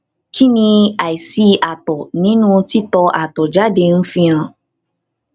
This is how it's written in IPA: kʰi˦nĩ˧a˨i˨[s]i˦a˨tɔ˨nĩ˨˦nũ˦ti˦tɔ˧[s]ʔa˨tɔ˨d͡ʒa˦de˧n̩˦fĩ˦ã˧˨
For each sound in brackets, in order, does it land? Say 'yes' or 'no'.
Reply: yes, no

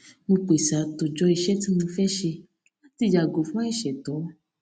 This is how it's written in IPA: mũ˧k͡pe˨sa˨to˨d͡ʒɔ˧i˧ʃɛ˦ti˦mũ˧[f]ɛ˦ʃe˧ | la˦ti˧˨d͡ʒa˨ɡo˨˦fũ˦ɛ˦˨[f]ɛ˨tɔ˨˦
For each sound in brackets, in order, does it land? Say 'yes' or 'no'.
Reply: yes, no

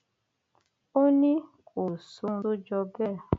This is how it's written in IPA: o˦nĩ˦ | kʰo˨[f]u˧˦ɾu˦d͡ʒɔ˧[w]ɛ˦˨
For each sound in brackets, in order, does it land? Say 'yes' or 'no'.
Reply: no, no

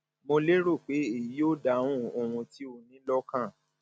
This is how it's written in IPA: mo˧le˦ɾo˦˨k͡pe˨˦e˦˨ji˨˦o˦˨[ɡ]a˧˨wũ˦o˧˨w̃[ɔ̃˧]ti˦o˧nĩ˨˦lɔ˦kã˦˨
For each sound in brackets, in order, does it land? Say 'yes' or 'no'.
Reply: no, no

